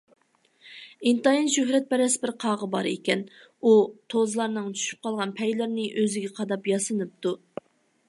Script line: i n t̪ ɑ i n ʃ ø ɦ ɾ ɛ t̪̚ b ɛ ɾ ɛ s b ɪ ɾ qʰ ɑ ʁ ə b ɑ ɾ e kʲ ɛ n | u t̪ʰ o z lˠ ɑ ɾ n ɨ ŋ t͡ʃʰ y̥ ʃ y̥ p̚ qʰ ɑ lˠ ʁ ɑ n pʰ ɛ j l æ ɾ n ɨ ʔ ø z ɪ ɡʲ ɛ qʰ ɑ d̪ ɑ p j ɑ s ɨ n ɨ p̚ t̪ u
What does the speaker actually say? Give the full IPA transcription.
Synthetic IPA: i n t̪ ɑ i n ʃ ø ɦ ɾ ɛ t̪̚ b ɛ ɾ ɛ s b ɪ ɾ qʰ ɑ ʁ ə b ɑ ɾ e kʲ ɛ n | u t̪ʰ o z lˠ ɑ ɾ n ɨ ŋ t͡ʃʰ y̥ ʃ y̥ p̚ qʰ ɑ lˠ ʁ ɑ n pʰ ɛ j l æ ɾ n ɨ ʔ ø z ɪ ɡʲ ɛ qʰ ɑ d̪ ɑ p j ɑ s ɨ n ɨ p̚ t̪ u